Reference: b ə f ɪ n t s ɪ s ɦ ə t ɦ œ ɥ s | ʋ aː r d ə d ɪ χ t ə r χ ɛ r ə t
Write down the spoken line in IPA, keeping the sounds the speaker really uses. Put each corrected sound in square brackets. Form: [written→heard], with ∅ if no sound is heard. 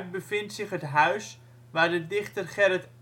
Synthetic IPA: b ə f ɪ n t s ɪ [s→χ] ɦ ə t ɦ œ ɥ s | ʋ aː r d ə d ɪ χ t ə r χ ɛ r ə t